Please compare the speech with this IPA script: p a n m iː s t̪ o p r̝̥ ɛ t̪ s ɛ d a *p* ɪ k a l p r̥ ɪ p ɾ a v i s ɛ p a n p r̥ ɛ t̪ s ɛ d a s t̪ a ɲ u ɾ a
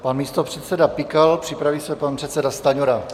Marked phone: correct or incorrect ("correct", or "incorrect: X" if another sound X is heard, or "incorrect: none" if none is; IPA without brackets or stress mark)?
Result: correct